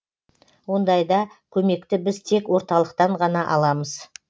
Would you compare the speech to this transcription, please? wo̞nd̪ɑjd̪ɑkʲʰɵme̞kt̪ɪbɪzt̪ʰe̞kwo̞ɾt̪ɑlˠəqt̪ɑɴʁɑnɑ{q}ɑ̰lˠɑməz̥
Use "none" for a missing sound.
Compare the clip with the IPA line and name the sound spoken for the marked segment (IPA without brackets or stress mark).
ʔ